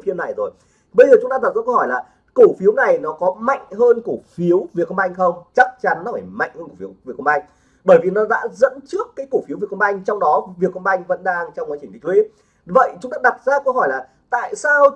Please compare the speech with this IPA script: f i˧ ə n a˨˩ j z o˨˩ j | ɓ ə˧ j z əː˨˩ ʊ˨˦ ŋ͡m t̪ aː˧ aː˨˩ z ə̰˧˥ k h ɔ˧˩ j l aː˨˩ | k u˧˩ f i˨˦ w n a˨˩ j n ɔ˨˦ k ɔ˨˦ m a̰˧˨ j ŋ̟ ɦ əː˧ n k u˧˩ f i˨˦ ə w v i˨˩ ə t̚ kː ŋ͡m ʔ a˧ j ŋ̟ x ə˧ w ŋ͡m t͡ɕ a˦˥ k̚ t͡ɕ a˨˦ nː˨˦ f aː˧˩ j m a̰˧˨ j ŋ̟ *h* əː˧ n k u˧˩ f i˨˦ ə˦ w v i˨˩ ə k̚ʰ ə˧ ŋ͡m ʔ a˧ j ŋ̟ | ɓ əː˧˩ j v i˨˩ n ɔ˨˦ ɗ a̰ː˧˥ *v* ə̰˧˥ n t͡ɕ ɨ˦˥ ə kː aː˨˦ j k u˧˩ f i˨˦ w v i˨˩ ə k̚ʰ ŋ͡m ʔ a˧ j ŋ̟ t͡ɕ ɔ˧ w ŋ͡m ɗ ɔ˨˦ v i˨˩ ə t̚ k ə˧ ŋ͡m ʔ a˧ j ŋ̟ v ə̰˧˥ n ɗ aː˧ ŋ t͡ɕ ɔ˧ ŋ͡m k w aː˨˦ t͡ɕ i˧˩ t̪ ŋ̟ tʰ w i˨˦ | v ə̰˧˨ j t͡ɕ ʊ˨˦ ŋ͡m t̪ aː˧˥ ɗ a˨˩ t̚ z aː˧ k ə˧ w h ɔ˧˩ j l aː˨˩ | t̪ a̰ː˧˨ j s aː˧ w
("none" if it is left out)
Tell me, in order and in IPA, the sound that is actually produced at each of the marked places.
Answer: h, z

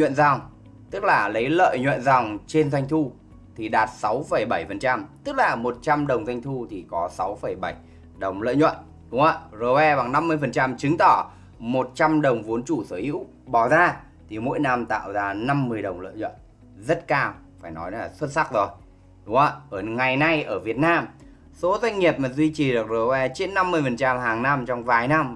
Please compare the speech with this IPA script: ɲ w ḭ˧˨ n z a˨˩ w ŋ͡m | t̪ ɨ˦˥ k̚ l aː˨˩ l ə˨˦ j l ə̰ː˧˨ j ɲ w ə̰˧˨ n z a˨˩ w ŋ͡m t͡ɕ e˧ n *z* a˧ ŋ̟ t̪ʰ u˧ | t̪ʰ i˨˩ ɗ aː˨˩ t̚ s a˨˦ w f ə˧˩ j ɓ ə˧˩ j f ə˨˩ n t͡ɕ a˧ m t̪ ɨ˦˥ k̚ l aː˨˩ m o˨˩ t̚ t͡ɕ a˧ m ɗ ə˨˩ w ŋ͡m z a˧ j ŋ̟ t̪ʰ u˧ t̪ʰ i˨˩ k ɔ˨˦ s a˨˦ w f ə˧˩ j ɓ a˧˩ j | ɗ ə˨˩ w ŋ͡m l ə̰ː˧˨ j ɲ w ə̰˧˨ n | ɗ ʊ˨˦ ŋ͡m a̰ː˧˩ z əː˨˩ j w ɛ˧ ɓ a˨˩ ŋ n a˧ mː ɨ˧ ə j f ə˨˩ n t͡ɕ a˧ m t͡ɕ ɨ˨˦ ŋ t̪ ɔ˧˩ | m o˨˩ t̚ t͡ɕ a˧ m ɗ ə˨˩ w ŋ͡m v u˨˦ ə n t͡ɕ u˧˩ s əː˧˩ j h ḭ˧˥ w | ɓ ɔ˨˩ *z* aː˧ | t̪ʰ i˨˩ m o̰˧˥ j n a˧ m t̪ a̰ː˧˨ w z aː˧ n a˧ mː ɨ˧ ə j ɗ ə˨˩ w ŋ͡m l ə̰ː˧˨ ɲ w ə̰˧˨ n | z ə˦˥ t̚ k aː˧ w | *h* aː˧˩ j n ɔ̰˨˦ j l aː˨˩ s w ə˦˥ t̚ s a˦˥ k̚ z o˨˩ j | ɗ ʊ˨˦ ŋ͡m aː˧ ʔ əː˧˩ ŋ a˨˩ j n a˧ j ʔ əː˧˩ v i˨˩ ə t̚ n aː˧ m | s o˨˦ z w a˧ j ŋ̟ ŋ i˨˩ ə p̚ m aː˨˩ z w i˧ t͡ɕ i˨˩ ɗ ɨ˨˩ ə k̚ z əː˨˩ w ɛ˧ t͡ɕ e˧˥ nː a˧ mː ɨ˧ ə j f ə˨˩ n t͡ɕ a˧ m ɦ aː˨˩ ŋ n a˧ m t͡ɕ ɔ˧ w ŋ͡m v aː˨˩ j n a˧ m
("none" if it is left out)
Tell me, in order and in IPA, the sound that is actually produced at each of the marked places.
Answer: z, z, f

